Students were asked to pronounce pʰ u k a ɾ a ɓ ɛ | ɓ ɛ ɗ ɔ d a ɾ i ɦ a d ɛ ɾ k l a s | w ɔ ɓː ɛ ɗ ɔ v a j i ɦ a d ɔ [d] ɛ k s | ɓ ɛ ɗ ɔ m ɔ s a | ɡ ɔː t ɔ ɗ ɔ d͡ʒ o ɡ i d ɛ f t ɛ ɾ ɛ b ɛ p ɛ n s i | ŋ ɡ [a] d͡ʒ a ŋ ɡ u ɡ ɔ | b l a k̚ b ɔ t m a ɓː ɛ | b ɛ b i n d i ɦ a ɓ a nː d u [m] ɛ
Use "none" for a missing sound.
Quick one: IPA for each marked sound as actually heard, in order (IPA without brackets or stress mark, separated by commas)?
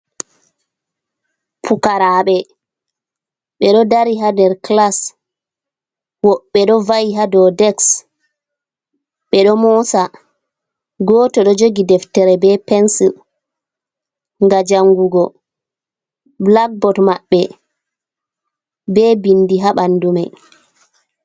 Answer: d, a, m